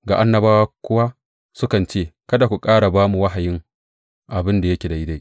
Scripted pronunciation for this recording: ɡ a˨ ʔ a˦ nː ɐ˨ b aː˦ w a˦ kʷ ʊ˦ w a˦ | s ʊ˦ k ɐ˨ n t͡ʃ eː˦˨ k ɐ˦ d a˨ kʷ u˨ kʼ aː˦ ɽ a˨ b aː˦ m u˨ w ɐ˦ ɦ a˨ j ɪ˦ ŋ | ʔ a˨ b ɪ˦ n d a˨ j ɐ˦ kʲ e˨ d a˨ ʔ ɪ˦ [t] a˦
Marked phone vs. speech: incorrect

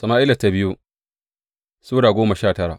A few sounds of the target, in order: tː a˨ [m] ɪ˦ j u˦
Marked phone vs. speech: incorrect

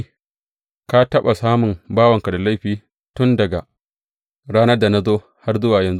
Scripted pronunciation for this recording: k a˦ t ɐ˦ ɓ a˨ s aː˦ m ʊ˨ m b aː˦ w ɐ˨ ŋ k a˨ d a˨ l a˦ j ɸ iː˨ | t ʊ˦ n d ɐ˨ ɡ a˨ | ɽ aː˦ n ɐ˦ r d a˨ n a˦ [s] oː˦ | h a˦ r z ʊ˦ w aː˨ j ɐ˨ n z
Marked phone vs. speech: incorrect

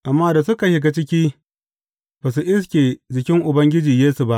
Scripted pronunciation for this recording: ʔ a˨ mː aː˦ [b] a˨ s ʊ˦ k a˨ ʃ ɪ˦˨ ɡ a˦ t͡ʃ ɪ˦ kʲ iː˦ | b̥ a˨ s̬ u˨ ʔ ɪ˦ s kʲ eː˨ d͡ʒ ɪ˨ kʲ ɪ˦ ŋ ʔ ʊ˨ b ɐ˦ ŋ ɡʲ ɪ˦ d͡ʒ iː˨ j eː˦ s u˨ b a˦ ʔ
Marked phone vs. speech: incorrect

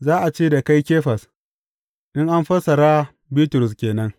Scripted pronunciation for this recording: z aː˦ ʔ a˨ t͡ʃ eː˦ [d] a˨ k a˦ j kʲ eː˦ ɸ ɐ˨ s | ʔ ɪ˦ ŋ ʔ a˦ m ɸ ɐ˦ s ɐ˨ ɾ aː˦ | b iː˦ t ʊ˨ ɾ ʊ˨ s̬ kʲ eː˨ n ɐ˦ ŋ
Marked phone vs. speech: correct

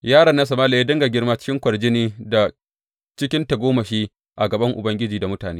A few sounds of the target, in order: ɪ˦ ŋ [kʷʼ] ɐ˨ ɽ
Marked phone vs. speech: incorrect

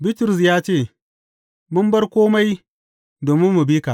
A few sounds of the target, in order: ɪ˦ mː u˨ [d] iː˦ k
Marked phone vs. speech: incorrect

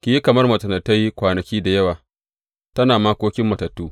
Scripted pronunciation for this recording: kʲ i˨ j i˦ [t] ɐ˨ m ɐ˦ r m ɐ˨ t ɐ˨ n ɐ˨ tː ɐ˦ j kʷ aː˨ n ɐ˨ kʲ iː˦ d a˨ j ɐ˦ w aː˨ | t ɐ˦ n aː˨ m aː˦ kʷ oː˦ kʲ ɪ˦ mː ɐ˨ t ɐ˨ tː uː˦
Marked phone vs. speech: incorrect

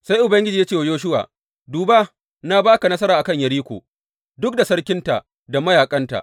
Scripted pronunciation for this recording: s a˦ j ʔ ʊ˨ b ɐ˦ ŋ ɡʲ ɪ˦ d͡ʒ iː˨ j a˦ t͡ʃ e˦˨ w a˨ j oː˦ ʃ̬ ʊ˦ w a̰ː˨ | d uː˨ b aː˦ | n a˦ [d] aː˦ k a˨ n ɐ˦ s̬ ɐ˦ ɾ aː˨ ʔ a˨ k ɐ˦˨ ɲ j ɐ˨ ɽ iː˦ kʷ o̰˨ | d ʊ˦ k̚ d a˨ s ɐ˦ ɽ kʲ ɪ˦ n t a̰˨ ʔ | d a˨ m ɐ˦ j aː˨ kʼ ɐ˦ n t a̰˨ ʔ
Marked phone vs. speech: incorrect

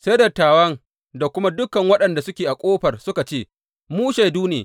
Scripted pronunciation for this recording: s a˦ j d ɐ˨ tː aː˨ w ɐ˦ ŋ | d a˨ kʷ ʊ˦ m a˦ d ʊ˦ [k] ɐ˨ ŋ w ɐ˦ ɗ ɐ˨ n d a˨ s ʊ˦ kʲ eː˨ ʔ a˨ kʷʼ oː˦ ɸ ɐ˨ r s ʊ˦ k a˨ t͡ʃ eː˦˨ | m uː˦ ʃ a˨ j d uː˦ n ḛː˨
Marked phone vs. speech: correct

